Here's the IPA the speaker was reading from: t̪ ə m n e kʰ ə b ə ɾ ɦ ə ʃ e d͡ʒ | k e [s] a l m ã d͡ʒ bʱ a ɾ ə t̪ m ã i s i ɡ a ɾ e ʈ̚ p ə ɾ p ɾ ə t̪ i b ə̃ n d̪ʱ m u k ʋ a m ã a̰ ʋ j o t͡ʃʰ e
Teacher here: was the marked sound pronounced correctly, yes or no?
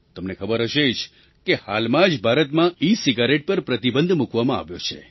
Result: no